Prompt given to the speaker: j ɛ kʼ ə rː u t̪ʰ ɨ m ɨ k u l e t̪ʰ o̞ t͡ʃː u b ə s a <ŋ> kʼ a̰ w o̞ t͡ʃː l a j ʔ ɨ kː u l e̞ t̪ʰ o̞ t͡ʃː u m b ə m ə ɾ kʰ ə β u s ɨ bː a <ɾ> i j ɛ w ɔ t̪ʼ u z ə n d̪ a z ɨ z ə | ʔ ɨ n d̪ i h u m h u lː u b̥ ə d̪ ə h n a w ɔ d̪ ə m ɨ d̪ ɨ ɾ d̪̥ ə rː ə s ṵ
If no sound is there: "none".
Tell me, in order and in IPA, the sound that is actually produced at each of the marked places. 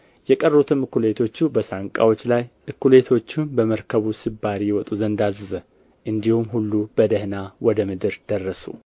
ŋ, ɾ

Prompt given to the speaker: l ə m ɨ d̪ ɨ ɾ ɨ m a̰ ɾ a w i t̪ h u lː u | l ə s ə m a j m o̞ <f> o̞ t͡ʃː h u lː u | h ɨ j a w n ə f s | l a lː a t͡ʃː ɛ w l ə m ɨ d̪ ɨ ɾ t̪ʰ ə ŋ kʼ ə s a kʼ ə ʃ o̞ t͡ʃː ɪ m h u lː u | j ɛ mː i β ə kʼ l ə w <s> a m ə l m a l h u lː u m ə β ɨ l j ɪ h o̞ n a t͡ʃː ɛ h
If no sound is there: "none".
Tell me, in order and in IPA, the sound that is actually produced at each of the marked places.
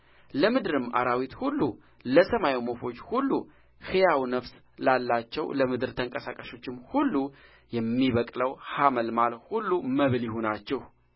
f, h

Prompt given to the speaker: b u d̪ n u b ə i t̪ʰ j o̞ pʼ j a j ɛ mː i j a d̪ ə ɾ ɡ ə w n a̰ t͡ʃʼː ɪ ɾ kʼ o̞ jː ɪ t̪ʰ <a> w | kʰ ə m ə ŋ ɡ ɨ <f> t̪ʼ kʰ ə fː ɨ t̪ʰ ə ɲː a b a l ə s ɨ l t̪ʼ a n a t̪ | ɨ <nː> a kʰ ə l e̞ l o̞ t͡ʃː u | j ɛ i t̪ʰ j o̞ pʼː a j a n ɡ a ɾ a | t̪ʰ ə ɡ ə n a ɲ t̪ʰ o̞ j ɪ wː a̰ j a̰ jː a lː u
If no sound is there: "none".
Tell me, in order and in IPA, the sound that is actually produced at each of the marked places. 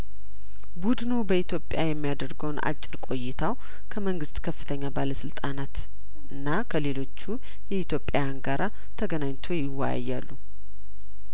a, s, nː

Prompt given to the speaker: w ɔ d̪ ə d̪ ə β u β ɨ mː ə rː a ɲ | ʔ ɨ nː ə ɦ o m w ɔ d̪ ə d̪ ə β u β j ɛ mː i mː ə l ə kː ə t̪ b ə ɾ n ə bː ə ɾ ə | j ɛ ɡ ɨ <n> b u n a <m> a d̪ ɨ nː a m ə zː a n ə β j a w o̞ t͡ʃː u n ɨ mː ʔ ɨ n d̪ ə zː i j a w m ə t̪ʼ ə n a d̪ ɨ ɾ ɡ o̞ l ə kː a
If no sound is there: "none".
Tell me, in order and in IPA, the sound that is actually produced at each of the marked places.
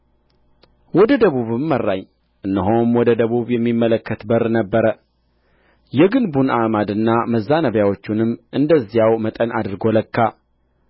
n, m

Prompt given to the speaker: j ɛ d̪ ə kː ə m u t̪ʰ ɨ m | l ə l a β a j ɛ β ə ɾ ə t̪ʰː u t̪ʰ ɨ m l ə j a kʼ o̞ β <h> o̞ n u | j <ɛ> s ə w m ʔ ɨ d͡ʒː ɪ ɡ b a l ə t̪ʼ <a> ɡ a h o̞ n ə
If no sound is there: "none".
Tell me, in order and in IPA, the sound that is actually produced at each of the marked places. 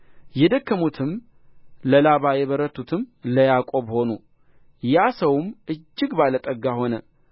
h, a, ə

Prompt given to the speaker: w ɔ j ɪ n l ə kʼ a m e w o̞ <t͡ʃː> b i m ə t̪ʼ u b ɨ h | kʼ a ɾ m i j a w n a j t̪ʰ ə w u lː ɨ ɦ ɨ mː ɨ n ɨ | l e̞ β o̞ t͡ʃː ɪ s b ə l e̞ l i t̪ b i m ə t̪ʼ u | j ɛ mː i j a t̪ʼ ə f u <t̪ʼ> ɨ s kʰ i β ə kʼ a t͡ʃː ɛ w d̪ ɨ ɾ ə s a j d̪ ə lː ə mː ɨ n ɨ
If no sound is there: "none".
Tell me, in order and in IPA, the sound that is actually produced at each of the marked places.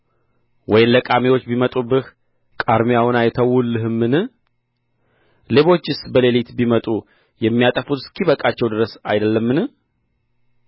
t͡ʃː, t̪

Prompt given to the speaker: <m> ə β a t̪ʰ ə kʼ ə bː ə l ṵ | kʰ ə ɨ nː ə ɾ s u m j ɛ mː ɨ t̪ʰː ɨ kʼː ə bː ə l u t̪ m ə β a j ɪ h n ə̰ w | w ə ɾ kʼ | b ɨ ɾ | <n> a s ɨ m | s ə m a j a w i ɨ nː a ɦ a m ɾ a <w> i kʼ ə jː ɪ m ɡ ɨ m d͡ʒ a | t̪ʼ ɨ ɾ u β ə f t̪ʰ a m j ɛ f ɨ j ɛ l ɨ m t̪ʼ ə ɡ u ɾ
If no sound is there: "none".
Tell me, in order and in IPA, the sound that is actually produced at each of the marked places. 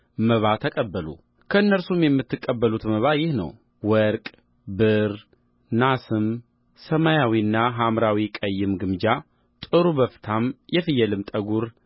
m, n, w

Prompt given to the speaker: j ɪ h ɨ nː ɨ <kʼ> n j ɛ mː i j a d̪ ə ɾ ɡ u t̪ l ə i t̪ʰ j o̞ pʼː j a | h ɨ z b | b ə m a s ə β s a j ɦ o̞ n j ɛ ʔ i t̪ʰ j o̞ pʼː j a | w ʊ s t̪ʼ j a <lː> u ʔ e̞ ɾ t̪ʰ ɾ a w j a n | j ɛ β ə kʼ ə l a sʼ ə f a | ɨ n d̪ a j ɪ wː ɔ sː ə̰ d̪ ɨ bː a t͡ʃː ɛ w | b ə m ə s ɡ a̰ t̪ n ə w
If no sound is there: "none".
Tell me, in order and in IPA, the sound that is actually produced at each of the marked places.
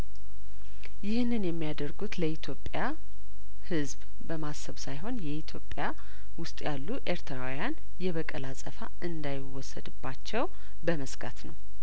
none, lː

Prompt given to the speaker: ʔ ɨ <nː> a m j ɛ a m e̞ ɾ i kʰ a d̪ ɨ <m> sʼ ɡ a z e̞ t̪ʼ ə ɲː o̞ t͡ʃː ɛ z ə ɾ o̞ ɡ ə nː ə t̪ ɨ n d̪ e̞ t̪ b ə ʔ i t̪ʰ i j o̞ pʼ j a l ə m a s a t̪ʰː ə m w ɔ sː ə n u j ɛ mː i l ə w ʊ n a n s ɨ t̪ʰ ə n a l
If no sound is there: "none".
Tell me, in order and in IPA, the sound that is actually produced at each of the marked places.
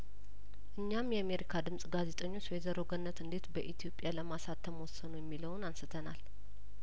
ɲː, m

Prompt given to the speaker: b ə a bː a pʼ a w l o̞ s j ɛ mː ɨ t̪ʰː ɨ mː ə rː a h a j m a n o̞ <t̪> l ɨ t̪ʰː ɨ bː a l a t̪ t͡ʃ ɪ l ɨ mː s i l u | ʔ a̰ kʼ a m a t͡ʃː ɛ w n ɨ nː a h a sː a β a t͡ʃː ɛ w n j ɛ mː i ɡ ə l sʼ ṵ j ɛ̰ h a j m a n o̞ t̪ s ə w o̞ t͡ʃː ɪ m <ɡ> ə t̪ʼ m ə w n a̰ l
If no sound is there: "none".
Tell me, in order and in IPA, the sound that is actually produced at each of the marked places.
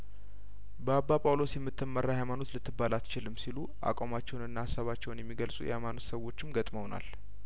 t̪, ɡ

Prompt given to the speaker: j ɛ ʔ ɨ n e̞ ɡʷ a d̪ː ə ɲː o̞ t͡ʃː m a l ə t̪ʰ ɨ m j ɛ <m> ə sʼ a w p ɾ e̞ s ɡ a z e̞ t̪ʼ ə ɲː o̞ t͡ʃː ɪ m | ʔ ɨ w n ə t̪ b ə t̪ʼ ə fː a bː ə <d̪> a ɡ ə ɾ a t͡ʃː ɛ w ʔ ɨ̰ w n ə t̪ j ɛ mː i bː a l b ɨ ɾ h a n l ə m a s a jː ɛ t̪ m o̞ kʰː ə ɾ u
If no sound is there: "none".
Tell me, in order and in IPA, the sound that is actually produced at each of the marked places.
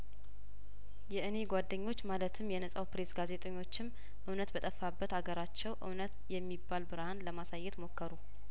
n, t̪

